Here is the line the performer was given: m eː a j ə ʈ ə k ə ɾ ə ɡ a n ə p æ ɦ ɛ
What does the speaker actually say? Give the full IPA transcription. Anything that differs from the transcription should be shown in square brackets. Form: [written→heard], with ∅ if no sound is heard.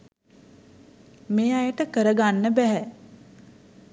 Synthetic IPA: m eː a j ə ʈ ə k ə ɾ ə ɡ a [n→nː] ə [p→b] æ ɦ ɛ